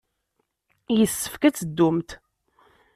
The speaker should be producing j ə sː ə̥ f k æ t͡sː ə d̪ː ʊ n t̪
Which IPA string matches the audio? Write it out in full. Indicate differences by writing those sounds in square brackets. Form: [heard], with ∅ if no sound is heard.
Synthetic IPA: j ə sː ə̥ f k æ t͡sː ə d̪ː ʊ [m] t̪

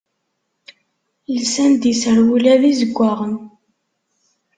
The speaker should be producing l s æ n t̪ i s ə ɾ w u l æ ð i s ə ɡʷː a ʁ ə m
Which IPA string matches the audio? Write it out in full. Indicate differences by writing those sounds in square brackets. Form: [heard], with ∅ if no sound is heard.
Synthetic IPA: l s æ n [d̪] i s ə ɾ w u l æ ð i [z] ə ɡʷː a ʁ ə [n]

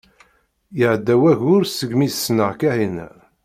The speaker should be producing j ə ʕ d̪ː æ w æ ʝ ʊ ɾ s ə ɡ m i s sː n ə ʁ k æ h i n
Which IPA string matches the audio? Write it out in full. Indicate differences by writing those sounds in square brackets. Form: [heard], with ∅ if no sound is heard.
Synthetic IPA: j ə ʕ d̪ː æ w æ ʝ ʊ ɾ s ə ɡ m i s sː n ə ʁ k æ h i n

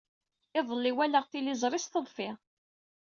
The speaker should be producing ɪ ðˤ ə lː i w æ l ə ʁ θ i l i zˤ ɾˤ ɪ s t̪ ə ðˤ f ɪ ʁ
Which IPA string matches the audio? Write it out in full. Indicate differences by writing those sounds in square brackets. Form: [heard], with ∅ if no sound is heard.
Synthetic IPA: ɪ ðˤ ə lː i w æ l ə ʁ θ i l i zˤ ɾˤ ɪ s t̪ ə ðˤ f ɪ ʁ

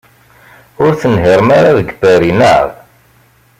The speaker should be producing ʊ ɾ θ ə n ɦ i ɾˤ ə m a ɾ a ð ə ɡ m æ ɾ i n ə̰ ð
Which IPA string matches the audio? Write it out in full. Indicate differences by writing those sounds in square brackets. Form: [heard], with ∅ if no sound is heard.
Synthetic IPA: ʊ ɾ θ ə n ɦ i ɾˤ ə m a ɾ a ð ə ɡ [b] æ ɾ i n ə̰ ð

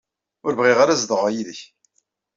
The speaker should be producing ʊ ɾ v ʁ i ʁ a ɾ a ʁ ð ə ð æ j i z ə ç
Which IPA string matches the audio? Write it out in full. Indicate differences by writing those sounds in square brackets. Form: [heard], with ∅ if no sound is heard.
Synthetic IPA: ʊ ɾ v ʁ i ʁ a ɾ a [z] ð ə [ʁ] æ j i [ð] ə ç

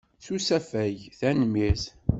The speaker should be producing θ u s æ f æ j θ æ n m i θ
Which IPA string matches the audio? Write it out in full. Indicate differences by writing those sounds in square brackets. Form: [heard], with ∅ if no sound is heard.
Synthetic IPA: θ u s æ f æ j θ æ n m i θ

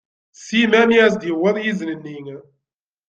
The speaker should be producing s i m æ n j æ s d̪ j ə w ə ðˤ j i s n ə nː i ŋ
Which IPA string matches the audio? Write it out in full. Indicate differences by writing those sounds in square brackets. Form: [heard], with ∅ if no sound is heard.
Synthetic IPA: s i m æ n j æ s d̪ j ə w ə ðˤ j i [z] n ə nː i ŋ

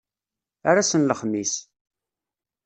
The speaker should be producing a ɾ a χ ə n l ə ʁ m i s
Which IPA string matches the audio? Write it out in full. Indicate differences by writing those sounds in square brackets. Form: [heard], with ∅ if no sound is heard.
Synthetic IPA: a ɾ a [s] ə n l ə [χ] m i s

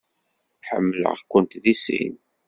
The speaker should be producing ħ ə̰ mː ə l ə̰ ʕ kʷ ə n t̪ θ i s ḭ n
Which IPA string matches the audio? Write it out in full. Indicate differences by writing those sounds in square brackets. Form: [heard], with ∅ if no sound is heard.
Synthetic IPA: ħ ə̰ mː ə l ə̰ [ʁ] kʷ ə n t̪ [ð] i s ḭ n

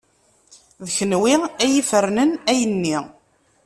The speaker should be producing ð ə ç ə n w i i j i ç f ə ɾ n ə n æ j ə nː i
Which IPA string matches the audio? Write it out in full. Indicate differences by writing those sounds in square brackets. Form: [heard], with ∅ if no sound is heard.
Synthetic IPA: ð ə ç ə n w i [æ] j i [∅] f ə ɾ n ə n æ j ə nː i

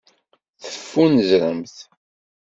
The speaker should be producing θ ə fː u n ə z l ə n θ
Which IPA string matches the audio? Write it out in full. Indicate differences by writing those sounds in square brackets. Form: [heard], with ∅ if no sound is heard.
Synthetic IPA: θ ə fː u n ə z [ɾ] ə [m] θ

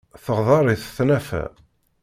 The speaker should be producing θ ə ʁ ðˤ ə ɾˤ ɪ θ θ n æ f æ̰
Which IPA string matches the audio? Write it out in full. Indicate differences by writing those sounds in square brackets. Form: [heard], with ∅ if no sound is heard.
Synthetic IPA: θ ə ʁ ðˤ [ɑ] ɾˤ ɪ θ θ n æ f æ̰

